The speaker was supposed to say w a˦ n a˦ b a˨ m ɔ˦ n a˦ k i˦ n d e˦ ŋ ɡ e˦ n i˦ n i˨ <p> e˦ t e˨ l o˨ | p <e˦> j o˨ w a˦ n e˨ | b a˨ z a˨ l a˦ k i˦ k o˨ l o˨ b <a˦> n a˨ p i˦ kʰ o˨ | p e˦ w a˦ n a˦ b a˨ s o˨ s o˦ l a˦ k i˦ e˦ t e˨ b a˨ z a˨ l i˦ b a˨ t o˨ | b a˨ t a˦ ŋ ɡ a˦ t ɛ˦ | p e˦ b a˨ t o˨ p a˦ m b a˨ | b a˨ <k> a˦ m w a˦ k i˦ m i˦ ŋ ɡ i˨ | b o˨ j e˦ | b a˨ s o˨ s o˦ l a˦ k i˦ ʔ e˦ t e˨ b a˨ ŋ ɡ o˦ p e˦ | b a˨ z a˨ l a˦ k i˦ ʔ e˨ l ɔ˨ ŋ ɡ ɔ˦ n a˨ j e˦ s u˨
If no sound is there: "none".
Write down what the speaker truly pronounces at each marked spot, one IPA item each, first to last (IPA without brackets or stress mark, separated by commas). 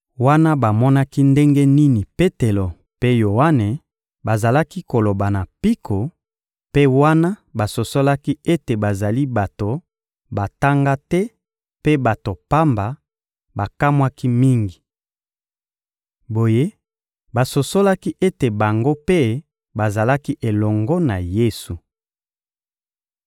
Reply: p, e˦, a˨, k